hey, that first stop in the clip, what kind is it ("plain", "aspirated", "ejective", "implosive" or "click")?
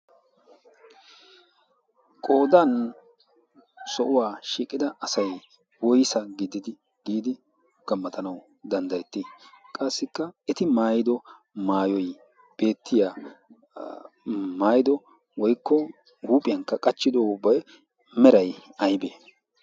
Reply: ejective